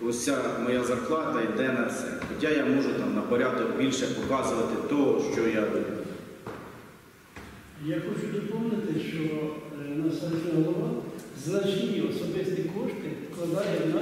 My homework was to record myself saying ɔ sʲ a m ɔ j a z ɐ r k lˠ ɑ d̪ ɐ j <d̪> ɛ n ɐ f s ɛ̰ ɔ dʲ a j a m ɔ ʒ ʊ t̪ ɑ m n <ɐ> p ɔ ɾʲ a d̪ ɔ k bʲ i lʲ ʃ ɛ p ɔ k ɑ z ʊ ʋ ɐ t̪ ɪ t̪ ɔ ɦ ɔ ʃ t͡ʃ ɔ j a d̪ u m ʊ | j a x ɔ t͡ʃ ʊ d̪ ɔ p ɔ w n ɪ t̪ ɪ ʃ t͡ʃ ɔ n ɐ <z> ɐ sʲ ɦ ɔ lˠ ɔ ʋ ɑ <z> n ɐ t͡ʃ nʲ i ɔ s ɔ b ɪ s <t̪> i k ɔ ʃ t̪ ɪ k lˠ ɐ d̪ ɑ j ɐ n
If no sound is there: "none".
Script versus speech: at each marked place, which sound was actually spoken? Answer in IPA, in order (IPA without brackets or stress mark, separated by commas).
d̪, ɐ, s, z, t̪